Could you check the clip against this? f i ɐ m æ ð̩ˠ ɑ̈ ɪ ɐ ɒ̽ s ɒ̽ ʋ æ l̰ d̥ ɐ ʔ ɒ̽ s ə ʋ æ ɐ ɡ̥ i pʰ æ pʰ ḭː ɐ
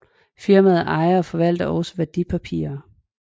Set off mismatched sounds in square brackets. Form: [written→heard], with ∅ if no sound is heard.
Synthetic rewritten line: f i ɐ m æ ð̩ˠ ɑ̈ ɪ ɐ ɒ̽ [s→f] ɒ̽ ʋ æ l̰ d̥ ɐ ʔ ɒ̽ s ə ʋ æ ɐ [ɡ̥→d̥] i pʰ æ pʰ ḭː ɐ